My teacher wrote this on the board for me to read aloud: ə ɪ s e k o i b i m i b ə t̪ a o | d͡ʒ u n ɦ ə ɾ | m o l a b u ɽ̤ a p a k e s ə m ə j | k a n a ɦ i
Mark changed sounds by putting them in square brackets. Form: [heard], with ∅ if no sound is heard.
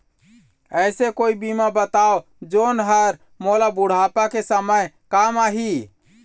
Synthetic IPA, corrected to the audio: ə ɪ s e k o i b i m [a] b ə t̪ a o | d͡ʒ [o] n ɦ ə ɾ | m o l a b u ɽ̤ a p a k e s ə m ə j | k a [m] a ɦ i